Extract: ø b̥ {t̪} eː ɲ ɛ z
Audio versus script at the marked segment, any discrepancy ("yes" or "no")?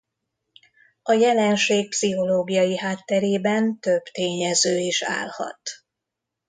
no